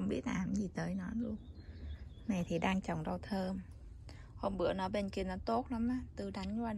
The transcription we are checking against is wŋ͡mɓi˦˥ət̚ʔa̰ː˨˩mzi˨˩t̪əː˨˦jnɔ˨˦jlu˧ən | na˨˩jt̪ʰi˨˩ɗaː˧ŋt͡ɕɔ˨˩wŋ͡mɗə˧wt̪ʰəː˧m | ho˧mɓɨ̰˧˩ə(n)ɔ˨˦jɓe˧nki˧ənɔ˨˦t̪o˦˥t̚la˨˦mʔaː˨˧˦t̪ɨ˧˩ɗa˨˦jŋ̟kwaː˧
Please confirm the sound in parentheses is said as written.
yes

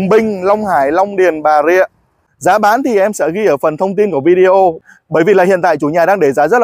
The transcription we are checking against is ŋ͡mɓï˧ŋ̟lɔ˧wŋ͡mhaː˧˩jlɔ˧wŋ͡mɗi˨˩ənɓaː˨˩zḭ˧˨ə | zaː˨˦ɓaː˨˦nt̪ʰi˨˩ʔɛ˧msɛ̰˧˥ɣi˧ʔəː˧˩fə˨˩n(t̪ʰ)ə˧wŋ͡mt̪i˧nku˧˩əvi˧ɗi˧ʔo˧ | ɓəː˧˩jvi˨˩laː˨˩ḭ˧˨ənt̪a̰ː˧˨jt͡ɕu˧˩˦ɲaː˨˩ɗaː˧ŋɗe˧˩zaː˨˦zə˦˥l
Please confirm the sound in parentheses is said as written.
yes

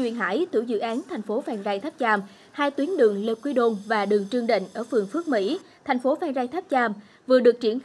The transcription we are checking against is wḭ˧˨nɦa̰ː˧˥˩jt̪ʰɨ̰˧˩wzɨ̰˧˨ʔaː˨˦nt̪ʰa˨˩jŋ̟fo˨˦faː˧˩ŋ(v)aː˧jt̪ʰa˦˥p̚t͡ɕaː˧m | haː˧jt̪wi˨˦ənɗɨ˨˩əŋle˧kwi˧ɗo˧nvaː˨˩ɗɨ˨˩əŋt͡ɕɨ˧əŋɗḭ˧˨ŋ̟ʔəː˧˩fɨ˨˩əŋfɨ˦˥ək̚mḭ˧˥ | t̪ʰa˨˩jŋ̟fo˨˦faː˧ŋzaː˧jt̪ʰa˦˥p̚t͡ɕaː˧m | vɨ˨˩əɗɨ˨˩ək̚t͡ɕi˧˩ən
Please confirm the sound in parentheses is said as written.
no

